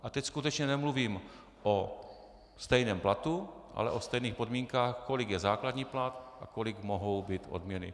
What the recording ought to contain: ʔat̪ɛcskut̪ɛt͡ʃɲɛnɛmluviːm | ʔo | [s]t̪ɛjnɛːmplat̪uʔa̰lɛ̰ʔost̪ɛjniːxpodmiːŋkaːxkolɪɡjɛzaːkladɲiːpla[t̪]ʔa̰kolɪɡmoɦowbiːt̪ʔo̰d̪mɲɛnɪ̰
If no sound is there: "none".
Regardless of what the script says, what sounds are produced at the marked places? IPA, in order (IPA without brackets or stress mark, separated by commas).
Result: s, t̪